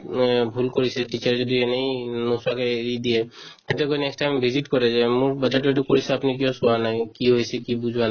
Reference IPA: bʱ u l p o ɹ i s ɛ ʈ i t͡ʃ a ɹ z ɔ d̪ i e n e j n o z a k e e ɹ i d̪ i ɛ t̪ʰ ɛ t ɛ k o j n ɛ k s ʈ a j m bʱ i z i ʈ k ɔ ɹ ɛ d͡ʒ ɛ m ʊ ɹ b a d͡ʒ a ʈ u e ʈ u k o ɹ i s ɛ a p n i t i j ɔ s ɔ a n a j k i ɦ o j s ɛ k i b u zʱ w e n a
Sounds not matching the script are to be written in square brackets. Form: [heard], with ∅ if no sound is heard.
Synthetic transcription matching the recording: bʱ u l [k] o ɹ i s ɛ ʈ i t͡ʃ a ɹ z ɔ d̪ i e n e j n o [s] a k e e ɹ i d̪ i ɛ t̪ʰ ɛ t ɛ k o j n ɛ k s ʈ a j m bʱ i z i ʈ k ɔ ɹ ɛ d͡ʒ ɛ m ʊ ɹ b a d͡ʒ a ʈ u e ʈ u k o ɹ i s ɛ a p n i [k] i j ɔ s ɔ a n a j k i ɦ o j s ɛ k i b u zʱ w [a] n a